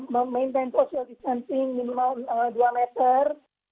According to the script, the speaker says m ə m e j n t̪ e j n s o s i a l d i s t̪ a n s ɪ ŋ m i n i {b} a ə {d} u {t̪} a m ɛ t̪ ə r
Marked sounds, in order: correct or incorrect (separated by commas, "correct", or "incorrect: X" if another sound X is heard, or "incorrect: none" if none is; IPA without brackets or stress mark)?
incorrect: m, correct, incorrect: none